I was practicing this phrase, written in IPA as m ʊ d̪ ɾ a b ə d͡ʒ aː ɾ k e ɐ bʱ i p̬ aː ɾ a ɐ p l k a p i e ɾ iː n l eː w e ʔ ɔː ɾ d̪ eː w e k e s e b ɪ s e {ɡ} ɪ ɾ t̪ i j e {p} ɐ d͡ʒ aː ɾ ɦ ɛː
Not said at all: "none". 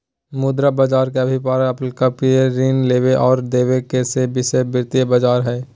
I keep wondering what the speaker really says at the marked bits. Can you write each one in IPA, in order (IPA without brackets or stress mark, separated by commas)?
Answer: b, b